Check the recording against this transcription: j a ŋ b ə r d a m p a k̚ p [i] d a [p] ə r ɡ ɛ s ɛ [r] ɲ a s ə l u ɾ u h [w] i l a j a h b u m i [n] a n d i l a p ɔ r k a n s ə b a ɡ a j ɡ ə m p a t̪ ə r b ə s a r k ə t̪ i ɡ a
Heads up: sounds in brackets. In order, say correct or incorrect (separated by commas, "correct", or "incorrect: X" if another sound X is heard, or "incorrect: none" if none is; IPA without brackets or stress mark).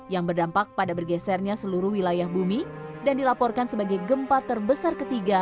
incorrect: a, incorrect: b, correct, correct, incorrect: d